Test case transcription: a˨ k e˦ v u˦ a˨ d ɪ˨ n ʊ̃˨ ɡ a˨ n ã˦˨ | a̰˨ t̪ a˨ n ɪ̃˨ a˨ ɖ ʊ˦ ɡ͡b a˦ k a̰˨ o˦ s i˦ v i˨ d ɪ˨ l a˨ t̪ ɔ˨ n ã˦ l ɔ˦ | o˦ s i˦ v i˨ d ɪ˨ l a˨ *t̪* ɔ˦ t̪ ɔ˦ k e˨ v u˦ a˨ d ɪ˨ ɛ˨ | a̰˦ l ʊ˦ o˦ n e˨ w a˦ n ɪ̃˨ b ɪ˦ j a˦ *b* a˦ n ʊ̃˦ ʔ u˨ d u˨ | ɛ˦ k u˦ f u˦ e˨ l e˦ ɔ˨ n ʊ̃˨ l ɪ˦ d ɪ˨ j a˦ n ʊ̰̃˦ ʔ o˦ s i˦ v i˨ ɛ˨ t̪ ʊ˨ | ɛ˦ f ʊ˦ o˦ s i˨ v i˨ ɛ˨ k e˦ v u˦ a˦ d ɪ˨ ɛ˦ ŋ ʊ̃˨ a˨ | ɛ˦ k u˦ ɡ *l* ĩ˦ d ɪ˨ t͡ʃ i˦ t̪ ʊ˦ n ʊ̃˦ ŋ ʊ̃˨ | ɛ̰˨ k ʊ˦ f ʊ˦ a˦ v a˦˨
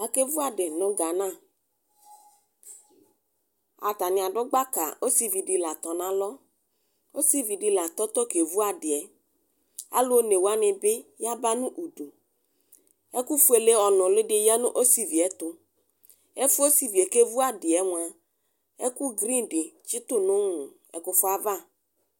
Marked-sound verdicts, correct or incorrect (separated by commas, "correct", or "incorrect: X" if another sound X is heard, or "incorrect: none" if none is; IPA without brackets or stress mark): correct, correct, incorrect: ɾ